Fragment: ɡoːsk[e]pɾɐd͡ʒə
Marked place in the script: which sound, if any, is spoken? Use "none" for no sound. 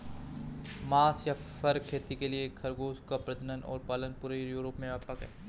a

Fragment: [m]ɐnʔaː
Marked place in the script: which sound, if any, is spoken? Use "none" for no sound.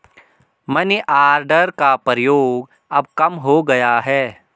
m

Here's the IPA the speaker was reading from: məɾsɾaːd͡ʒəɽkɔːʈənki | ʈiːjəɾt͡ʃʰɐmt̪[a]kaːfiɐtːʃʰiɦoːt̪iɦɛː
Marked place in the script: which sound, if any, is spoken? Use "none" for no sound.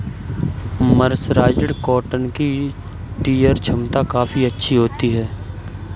a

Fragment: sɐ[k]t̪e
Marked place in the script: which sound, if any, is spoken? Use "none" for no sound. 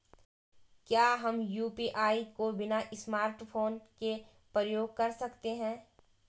k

